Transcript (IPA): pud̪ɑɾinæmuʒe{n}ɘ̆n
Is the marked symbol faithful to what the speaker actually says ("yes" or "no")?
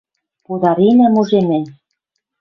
no